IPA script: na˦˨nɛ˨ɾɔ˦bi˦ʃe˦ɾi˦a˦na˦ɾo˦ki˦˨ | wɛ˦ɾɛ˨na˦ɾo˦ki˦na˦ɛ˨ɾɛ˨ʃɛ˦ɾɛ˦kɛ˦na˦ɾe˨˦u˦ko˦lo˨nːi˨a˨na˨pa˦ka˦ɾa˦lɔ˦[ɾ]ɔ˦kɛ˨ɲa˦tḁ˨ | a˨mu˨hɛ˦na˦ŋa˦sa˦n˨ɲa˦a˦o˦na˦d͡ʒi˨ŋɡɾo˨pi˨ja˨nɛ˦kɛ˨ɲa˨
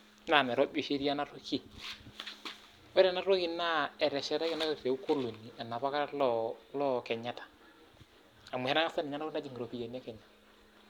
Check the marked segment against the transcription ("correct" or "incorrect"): incorrect